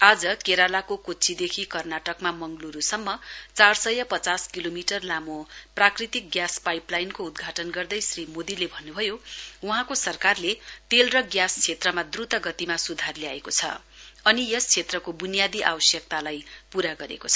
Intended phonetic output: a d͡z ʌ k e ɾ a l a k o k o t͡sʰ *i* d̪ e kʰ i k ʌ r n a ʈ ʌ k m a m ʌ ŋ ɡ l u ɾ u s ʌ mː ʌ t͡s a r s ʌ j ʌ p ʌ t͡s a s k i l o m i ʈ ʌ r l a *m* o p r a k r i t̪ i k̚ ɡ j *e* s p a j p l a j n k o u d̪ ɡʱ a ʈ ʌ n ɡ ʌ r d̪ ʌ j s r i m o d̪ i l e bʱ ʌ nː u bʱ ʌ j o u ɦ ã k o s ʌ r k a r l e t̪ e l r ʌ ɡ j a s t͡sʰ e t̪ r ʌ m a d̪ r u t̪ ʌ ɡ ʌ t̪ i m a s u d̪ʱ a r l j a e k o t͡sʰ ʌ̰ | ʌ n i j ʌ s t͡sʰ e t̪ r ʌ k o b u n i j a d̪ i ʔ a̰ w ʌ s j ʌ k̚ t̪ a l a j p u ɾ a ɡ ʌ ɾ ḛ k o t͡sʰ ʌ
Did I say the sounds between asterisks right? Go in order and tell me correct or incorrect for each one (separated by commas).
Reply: correct, correct, incorrect